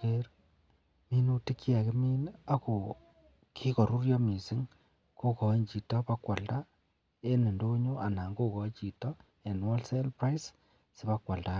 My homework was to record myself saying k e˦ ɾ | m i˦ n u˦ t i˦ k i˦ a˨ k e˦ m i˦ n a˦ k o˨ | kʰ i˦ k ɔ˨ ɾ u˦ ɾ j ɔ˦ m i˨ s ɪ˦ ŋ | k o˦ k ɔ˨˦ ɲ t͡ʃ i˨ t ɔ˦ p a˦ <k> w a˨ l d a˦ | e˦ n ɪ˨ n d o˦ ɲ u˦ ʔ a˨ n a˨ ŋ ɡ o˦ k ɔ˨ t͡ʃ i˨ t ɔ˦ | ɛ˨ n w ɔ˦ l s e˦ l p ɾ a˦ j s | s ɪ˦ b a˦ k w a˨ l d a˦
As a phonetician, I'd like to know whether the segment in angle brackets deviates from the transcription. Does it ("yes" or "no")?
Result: no